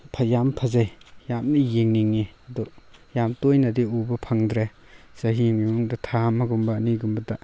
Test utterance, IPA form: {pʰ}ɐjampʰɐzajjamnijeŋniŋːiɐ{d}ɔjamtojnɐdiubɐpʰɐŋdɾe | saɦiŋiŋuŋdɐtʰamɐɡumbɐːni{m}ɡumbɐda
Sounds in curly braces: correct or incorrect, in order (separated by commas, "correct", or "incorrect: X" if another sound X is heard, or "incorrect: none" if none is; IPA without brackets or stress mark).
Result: correct, correct, incorrect: none